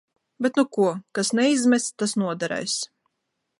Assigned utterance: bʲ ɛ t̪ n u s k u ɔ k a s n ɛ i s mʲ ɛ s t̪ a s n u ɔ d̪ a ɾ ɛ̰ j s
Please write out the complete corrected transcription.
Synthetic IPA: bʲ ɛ t̪ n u k u ɔ k a s n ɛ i z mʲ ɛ s t̪ a s n u ɔ d̪ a ɾ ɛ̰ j s